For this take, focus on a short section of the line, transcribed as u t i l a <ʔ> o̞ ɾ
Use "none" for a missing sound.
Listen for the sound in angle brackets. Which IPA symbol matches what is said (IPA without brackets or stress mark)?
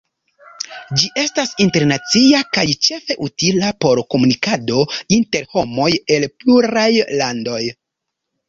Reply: p